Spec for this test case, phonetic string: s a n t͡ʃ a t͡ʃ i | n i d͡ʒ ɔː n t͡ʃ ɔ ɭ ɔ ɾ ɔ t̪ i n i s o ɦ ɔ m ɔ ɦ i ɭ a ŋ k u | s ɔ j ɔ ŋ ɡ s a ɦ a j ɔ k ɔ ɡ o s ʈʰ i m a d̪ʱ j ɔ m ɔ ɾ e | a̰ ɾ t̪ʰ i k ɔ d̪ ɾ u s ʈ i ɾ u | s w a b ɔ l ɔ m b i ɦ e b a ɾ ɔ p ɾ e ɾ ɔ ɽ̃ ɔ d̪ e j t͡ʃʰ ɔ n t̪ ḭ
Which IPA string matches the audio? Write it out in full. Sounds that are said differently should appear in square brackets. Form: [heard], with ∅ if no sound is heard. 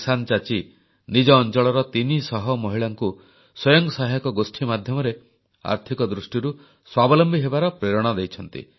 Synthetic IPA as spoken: s a n t͡ʃ a t͡ʃ i | n i d͡ʒ ɔː n t͡ʃ ɔ ɭ ɔ ɾ ɔ t̪ i n i s [ɔ] ɦ ɔ m ɔ ɦ i ɭ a ŋ k u | s ɔ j ɔ ŋ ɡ s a ɦ a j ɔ k ɔ ɡ o s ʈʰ i m a d̪ʱ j ɔ m ɔ ɾ e | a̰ ɾ t̪ʰ i k ɔ d̪ ɾ u s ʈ i ɾ u | s w a b ɔ l ɔ m b i ɦ e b a ɾ ɔ p ɾ e ɾ ɔ ɽ̃ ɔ d̪ e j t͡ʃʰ ɔ n t̪ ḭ